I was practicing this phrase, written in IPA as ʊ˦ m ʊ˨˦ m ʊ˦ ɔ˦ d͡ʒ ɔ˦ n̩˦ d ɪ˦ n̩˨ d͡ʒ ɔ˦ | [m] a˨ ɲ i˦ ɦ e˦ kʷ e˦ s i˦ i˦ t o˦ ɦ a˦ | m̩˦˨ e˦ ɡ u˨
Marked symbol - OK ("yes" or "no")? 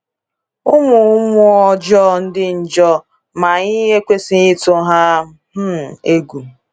yes